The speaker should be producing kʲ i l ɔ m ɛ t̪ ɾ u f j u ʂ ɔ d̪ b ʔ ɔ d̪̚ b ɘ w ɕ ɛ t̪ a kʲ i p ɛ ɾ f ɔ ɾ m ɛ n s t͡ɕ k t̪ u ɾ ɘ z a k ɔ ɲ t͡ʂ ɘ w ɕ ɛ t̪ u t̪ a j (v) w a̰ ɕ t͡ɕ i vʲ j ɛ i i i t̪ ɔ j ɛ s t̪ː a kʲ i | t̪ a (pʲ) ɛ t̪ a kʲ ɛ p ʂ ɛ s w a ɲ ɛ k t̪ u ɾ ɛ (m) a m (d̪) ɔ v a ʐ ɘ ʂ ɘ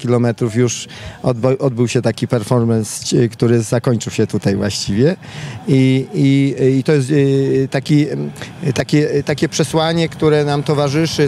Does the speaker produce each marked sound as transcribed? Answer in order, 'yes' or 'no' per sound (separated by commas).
yes, no, no, no